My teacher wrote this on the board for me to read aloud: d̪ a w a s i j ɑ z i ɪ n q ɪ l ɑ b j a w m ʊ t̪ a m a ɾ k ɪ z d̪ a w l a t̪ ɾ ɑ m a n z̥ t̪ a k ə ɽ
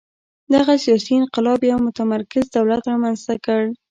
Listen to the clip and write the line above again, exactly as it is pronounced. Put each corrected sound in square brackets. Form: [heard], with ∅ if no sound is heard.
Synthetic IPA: d̪ a [ɣ] a s i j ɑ [s] i ɪ n q ɪ l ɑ b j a w m ʊ t̪ a m a ɾ k ɪ z d̪ a w l a t̪ ɾ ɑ m a n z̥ t̪ a k ə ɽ